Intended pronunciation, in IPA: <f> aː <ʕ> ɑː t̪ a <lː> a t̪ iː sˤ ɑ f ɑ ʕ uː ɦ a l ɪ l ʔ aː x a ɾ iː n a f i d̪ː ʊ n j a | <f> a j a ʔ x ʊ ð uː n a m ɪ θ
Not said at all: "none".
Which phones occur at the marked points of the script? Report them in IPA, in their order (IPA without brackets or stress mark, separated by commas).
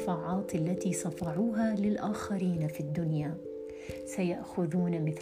f, ʕ, lː, s